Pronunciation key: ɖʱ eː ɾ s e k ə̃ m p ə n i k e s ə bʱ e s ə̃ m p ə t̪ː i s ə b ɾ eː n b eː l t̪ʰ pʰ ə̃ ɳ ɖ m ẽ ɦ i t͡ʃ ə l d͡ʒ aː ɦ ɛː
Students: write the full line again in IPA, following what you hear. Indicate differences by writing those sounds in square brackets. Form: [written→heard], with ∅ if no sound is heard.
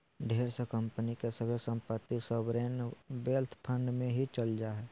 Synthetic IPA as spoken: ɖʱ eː ɾ s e k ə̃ m p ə n i k e s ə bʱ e s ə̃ m p ə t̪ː i s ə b ɾ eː n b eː l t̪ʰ pʰ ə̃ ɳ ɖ m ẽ ɦ i t͡ʃ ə l d͡ʒ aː ɦ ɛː